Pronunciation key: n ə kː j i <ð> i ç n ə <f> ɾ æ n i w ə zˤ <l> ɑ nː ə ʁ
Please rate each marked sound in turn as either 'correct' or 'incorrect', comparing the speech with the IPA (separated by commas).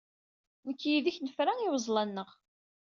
correct, correct, correct